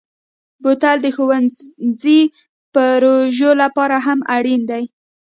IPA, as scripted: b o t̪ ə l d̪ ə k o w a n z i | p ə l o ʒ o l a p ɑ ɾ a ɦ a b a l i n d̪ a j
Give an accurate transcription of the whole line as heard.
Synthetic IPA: b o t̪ a l d̪ ə x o w a n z i | p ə ɾ o ʒ o l a p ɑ ɾ a ɦ a m a ɽ i n d̪ a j